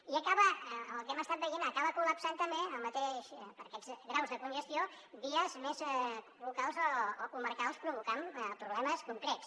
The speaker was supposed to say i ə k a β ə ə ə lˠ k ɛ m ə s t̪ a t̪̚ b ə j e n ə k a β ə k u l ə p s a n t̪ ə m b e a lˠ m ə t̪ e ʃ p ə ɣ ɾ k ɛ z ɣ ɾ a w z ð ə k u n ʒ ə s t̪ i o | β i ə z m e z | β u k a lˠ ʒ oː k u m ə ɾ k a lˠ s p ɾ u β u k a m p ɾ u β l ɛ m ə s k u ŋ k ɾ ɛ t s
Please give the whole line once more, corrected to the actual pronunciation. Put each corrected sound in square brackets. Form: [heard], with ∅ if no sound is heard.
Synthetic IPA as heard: i ə k a β ə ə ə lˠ k ɛ m ə s t̪ a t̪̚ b ə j e n ə k a β ə k u l ə p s a n t̪ ə m b e [ə] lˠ m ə t̪ e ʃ p ə [∅] ɾ k ɛ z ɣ ɾ a w z ð ə k u n ʒ ə s t̪ i o | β i ə z m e z | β u k a lˠ [z] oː k u m ə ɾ k a lˠ s p ɾ u β u k a m p ɾ u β l ɛ m ə s k u ŋ k ɾ ɛ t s